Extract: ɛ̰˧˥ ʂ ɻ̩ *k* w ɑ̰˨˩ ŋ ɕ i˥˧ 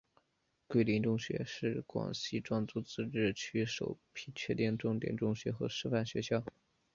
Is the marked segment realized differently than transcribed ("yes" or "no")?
no